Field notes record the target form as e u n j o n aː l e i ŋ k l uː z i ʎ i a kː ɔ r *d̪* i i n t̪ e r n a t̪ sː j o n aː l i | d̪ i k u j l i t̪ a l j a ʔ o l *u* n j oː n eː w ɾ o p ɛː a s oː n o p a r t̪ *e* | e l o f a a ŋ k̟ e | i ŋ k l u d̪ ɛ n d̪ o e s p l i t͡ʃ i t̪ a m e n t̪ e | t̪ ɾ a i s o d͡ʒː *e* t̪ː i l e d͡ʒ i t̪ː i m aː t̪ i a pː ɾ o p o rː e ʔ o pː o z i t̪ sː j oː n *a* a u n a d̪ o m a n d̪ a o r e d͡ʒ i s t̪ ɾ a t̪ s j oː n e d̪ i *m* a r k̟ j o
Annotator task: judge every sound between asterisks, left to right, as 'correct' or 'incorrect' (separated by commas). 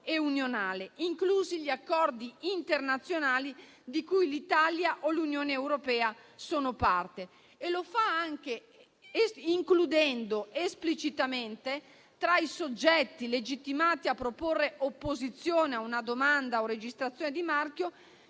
correct, correct, correct, incorrect, incorrect, correct